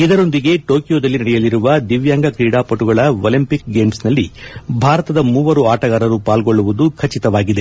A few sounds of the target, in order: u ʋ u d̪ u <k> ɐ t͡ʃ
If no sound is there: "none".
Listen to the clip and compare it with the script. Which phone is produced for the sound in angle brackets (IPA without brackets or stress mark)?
kʰ